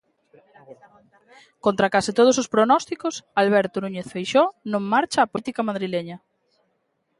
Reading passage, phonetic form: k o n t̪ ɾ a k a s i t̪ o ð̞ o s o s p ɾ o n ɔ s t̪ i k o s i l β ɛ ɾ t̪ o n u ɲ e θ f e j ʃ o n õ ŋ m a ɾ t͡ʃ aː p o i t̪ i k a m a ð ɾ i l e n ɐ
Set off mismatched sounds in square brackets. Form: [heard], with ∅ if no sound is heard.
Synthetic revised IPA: k o n t̪ ɾ a k a s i t̪ o ð̞ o s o s p ɾ o n ɔ s t̪ i k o s [a] l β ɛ ɾ t̪ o n u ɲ e θ f e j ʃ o n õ ŋ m a ɾ t͡ʃ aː p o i t̪ i k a m a ð ɾ i l e [ɲ] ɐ